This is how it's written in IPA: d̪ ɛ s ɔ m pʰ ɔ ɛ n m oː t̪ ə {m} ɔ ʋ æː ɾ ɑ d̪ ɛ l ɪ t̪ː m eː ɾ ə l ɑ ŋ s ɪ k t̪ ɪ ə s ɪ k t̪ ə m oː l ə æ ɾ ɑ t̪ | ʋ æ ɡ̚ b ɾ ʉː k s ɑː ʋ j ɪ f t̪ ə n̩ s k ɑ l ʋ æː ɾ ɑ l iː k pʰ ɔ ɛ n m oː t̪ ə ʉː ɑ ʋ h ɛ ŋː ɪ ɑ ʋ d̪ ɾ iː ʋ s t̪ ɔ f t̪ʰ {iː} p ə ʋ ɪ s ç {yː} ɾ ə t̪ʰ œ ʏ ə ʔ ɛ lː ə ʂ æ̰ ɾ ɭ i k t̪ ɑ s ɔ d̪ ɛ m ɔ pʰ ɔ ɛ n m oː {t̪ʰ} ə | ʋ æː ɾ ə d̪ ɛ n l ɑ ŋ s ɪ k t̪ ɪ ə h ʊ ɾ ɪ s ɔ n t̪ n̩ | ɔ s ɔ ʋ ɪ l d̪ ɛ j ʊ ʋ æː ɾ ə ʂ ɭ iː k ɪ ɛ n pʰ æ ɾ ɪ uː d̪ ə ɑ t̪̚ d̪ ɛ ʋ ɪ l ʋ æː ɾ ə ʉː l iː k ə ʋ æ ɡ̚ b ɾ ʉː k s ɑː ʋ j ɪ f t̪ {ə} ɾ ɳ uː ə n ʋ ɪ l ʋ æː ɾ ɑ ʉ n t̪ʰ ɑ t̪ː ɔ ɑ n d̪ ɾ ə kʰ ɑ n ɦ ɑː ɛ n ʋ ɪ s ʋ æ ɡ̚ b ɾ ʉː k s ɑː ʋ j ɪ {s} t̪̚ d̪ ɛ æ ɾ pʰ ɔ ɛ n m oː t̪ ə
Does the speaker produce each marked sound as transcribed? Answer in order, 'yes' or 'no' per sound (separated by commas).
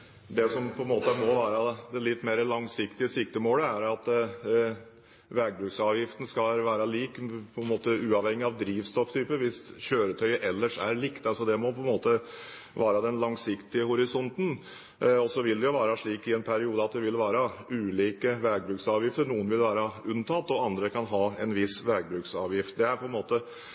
yes, no, no, no, yes, no